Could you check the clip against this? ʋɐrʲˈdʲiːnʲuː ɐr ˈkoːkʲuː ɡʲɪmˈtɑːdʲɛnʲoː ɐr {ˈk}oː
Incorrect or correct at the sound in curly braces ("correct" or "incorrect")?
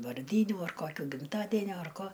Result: correct